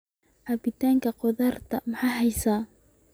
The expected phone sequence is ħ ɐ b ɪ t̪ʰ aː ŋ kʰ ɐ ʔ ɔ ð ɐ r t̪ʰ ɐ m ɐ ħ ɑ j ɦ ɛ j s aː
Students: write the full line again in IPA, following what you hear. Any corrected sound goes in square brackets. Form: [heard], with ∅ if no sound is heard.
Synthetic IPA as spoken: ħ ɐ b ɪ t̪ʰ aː ŋ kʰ ɐ [q] ɔ ð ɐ r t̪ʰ ɐ m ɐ ħ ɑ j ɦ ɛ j s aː